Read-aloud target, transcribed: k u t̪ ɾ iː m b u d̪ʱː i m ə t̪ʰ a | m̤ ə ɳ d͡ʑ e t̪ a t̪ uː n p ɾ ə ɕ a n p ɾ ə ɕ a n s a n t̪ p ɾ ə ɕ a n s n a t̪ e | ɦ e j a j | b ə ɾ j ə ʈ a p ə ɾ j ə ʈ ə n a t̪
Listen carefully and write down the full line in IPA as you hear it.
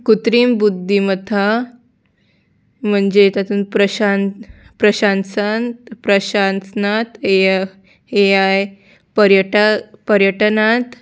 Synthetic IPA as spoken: k u t̪ ɾ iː m b u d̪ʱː i m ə t̪ʰ a | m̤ ə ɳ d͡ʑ e t̪ a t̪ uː n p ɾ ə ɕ a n p ɾ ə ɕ a n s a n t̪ p ɾ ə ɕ a n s n a t̪ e | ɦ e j a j | p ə ɾ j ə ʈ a p ə ɾ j ə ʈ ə n a t̪